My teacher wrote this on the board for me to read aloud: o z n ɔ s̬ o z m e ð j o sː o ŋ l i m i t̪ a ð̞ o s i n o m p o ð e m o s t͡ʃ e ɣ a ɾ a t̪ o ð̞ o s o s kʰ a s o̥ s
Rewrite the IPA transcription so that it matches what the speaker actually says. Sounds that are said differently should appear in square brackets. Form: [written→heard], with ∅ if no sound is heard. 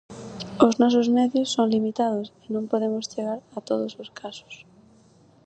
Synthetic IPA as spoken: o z n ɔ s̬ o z m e ð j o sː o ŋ l i m i t̪ a ð̞ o s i n [o→õ] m p o ð e m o s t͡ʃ e ɣ a ɾ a t̪ o ð̞ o s o s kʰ a s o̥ s